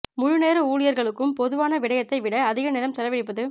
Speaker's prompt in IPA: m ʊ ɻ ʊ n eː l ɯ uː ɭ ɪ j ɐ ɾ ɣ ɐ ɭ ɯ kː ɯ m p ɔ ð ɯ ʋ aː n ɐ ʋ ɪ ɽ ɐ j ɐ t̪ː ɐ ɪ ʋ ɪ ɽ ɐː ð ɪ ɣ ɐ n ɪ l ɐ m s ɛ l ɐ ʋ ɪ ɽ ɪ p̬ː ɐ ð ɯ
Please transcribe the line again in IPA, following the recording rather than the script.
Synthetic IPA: m ʊ ɻ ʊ n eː ɾ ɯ uː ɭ ɪ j ɐ ɾ ɣ ɐ ɭ ɯ kː ɯ m p ɔ ð ɯ ʋ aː n ɐ ʋ ɪ ɽ ɐ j ɐ t̪ː ɐ ɪ ʋ ɪ ɽ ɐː ð ɪ ɣ ɐ n ɪ l ɐ m s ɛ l ɐ ʋ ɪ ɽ ɪ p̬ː ɐ ð ɯ